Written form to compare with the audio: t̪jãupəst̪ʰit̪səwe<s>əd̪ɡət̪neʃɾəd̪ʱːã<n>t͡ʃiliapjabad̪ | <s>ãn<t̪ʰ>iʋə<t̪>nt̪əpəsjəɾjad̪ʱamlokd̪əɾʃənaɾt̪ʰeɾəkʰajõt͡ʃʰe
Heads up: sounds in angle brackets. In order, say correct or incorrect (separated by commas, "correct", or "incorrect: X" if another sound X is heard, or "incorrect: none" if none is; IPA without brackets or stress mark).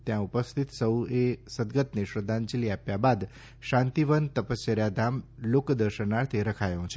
correct, correct, incorrect: ʃ, incorrect: t̪, incorrect: none